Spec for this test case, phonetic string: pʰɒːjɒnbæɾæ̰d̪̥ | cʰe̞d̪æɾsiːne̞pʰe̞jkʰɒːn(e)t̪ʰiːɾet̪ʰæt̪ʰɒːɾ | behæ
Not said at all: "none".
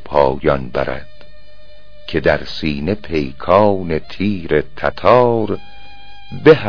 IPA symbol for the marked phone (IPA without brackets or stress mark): e